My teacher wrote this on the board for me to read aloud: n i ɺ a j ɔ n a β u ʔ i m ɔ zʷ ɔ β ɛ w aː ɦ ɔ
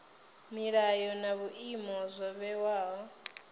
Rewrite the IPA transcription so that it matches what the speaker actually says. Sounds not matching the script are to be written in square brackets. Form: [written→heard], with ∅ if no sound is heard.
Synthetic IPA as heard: [n→m] i ɺ a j ɔ n a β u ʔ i m ɔ zʷ ɔ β ɛ w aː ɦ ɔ